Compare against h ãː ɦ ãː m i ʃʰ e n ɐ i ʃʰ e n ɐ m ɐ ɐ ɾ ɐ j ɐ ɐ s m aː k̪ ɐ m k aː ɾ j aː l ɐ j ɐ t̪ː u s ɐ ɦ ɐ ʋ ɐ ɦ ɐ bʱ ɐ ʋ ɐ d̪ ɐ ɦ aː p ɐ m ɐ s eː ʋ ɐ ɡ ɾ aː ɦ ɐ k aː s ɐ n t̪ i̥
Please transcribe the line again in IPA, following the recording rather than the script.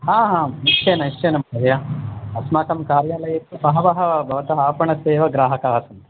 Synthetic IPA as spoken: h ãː ɦ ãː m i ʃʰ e n ɐ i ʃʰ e n ɐ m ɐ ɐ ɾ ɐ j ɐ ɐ s m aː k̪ ɐ m k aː ɾ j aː l ɐ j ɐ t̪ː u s ɐ ɦ ɐ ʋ ɐ ɦ ɐ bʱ ɐ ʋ ɐ t̪ ɐ ɦ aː p ɐ ɳ ɐ s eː ʋ ɐ ɡ ɾ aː ɦ ɐ k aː s ɐ n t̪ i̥